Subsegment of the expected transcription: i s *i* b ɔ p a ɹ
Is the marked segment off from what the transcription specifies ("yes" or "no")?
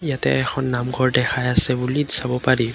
yes